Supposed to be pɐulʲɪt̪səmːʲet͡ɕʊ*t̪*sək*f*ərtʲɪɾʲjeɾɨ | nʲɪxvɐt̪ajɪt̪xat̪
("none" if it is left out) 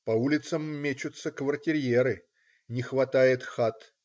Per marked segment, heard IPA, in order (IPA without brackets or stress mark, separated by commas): t̪, v